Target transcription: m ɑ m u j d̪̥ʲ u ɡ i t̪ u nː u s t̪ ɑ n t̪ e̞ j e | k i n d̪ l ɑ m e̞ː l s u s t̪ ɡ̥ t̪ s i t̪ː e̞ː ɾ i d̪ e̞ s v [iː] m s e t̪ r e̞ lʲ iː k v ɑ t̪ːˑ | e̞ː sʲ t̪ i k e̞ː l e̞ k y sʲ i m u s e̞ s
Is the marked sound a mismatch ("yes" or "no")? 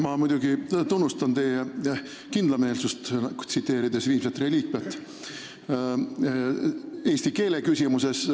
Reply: no